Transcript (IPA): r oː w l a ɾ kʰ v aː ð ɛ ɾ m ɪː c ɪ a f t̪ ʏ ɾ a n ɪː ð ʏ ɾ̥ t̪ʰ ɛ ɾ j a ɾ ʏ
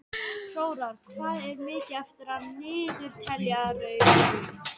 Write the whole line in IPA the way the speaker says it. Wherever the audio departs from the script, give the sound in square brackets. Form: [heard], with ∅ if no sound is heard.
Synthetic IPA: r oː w [ɾ] a ɾ kʰ v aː ð ɛ ɾ m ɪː c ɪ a f t̪ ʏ ɾ a n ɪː ð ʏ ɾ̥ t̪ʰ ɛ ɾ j a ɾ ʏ

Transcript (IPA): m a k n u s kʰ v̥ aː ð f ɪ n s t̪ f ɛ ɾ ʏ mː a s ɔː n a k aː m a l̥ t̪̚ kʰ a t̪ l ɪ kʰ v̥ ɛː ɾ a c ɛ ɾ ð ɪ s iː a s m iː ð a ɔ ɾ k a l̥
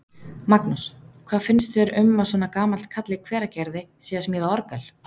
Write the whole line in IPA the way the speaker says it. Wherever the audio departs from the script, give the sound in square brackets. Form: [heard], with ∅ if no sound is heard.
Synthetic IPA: m a k n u s kʰ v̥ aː ð f ɪ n s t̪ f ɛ ɾ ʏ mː a s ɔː n a k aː m a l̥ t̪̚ kʰ a t̪ l ɪ kʰ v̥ ɛː ɾ a c ɛ ɾ ð ɪ s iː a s m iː ð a ɔ ɾ k a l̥

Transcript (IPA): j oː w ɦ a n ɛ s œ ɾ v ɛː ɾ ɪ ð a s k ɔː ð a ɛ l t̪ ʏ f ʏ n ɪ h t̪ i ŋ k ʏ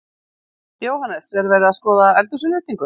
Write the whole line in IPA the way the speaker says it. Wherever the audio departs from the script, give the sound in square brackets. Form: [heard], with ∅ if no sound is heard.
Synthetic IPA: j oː w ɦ a n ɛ s [ɛ] ɾ v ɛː ɾ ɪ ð a s k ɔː ð a ɛ l t̪ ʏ [s] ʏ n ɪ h t̪ i ŋ k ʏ

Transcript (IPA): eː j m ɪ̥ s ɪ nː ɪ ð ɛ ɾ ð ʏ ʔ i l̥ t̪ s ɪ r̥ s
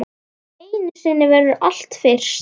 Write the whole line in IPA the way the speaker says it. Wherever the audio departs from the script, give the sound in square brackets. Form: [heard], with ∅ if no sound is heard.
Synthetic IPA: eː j [n] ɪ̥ s ɪ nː ɪ [v] ɛ ɾ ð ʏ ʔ [a] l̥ t̪ [f] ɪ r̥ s

